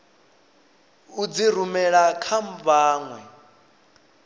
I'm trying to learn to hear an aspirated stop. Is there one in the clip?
yes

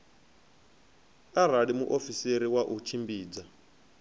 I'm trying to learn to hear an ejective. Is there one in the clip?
no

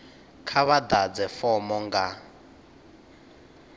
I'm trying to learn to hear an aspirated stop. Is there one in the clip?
yes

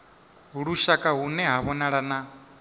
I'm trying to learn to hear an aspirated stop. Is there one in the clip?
no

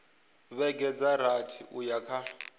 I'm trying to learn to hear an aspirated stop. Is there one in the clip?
yes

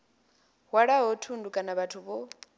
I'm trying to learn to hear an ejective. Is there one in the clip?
yes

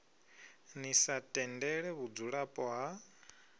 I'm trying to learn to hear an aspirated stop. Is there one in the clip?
no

